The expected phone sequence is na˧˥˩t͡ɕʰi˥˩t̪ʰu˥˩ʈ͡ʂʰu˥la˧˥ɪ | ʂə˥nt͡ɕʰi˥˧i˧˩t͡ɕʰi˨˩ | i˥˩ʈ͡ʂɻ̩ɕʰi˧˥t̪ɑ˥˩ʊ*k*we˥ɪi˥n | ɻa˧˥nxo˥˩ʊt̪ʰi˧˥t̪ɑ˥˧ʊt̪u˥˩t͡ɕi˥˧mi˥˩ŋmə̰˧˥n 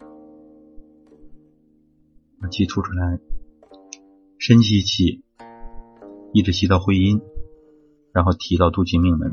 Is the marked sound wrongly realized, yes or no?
yes